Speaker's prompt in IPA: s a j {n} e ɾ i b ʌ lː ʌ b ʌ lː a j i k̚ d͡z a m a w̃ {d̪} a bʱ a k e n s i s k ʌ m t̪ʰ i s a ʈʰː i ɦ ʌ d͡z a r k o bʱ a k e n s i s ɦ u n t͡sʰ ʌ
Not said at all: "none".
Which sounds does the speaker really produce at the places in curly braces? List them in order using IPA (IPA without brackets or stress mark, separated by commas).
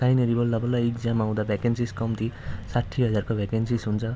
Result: n, d̪